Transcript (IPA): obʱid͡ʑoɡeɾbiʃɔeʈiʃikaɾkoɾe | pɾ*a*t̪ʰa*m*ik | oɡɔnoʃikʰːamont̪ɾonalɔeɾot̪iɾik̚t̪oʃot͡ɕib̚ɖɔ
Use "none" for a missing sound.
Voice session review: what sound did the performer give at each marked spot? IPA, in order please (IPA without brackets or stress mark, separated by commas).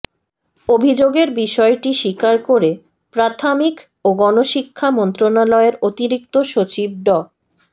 a, m